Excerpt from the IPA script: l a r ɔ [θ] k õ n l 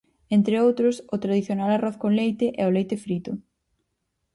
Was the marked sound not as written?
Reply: no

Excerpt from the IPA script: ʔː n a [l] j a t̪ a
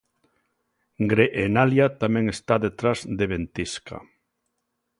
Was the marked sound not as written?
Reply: no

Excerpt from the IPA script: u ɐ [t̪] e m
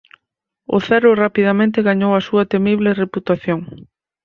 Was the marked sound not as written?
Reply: no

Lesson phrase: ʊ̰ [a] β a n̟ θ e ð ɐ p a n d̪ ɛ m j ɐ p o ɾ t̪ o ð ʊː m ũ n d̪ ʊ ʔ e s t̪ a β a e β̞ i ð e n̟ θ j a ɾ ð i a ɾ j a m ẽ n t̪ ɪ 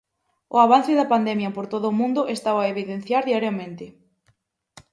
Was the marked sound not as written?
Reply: no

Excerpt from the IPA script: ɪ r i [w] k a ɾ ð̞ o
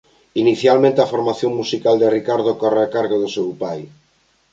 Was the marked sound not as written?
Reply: yes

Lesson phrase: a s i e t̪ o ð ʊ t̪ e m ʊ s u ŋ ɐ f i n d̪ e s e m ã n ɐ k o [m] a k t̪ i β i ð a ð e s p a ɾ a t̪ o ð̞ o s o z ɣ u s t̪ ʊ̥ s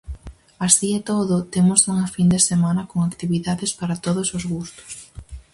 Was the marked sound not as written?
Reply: yes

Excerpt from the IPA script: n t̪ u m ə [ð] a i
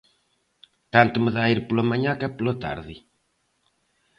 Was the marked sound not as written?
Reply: no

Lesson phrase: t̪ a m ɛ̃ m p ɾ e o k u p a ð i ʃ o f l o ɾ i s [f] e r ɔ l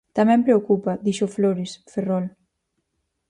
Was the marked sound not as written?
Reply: no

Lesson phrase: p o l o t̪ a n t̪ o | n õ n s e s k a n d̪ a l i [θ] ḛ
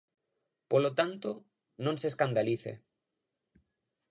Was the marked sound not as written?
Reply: no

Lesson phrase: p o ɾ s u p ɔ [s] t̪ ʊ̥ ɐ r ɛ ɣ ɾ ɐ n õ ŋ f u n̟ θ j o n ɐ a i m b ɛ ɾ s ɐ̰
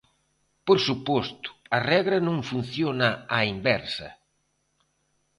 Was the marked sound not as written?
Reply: no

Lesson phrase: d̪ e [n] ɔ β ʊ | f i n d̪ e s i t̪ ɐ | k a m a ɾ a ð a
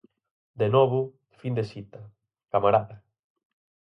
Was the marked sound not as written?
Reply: no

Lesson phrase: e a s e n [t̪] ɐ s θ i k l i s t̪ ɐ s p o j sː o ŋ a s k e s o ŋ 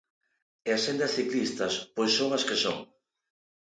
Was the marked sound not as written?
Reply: yes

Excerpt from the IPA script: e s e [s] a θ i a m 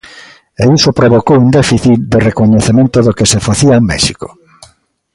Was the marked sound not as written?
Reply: yes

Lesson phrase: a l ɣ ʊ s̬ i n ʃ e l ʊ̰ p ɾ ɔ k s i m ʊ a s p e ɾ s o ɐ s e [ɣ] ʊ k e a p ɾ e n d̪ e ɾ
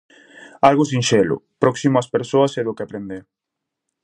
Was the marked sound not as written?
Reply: yes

